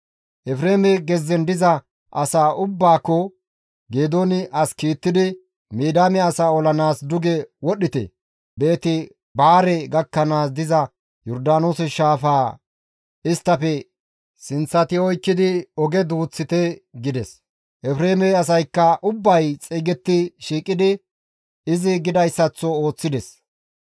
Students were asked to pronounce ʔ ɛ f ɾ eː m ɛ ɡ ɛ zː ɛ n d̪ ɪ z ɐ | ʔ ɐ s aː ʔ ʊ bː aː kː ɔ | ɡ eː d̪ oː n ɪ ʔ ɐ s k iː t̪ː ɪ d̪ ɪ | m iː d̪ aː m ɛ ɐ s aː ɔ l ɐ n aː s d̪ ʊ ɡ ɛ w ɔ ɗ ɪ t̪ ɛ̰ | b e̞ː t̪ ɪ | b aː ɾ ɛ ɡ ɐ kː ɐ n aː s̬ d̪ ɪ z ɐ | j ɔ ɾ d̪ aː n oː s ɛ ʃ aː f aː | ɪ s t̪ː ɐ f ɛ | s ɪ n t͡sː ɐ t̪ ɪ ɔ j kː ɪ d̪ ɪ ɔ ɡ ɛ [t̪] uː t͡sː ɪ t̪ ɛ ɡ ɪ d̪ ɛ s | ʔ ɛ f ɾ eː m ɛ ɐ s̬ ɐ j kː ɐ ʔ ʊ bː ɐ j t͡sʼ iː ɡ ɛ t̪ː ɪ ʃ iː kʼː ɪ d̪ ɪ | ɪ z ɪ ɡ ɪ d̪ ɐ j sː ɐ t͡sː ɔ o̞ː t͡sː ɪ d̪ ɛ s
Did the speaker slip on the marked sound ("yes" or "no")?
yes